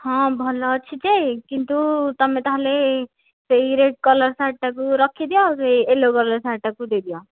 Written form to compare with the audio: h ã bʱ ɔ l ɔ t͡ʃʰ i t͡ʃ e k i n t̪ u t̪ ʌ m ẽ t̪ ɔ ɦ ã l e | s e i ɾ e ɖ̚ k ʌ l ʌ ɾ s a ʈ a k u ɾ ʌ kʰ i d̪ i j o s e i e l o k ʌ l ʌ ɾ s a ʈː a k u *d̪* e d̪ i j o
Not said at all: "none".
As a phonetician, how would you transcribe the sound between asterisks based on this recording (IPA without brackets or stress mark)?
d̪